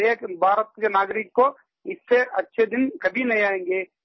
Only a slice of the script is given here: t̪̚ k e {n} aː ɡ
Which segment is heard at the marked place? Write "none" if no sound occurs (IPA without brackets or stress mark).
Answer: n